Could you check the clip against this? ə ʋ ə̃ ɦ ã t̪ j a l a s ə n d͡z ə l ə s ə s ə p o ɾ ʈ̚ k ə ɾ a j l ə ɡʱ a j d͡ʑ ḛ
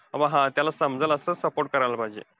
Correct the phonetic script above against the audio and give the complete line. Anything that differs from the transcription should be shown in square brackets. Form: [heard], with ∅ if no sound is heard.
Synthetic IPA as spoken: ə ʋ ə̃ ɦ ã t̪ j a l a s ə [m] d͡z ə l ə s ə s ə p o ɾ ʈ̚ k ə ɾ a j l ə [bʱ] a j d͡ʑ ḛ